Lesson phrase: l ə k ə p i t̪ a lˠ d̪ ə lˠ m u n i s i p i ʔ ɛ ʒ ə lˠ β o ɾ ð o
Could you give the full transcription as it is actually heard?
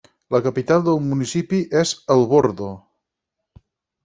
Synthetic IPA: l ə k ə p i t̪ a lˠ d̪ ə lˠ m u n i s i p i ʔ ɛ z ə lˠ β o ɾ ð o

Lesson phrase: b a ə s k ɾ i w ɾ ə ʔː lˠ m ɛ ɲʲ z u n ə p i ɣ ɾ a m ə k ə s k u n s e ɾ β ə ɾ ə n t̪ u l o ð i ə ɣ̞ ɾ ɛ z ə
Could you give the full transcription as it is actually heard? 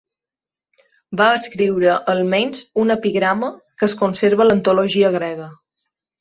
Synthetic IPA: b a ə s k ɾ i w ɾ ə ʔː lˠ m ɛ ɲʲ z u n ə p i ɣ ɾ a m ə k ə s k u n s e ɾ β ə l ə n t̪ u l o ʒ i ə ɣ̞ ɾ ɛ ɣ ə

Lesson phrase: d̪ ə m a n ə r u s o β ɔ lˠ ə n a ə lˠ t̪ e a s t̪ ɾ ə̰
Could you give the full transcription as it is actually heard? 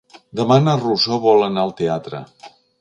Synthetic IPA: d̪ ə m a n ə r u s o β ɔ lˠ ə n a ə lˠ t̪ e a t̪ ɾ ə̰

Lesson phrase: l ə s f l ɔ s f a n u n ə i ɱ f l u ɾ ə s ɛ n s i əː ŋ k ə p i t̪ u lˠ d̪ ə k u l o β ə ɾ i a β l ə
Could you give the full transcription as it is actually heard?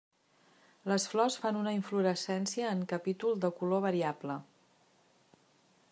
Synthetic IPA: l ə s f l ɔ s f a n u n ə i ɱ f l u ɾ ə s ɛ n s i əː ŋ k ə p i t̪ u lˠ d̪ ə k u l o β ə ɾ i a b l ə

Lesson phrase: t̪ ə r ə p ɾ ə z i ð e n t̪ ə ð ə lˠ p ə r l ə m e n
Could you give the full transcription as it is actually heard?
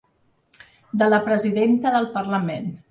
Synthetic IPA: d̪ ə l ə p ɾ ə z i ð e n t̪ ə ð ə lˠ p ə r l ə m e n

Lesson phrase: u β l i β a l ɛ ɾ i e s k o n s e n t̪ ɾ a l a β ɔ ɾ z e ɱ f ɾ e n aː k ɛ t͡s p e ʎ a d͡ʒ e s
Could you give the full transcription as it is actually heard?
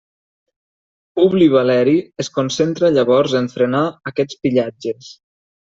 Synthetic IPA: u β l i β a l ɛ ɾ i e s k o n s e n t̪ ɾ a ʎ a β ɔ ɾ z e ɱ f ɾ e n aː k ɛ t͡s p i ʎ a d͡ʒ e s

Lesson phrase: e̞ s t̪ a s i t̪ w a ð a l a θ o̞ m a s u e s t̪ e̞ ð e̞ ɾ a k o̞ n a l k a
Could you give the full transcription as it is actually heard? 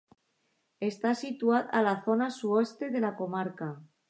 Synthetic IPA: e̞ s t̪ a s i t̪ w a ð a l a θ o̞ n a s u e s t̪ e̞ ð e̞ l a k o̞ m a ɾ k a

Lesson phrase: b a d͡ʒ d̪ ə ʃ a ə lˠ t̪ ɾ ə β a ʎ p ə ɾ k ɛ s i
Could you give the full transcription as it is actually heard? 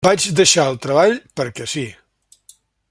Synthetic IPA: b a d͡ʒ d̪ ə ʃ a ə lˠ t̪ ɾ ə β a ʎ p ə ɾ k ɛ s i

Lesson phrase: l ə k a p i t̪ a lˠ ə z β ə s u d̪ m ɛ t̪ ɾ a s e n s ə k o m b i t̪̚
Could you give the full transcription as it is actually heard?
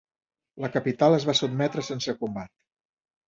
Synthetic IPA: l ə k ə p i t̪ a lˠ ə z β a s u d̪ m ɛ t̪ ɾ ə s e n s ə k u m b a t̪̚

